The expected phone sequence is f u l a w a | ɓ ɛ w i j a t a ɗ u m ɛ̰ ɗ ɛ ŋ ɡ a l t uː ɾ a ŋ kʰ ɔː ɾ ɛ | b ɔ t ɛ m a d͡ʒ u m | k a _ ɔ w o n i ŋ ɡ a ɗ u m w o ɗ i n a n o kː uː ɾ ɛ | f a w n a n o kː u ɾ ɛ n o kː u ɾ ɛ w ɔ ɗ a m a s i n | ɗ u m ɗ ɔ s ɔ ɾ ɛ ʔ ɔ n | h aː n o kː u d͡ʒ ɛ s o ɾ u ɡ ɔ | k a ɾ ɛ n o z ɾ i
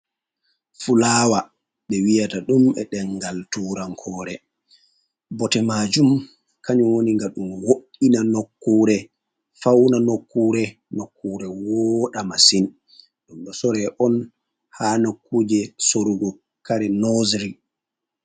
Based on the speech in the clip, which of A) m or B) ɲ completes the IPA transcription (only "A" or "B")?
B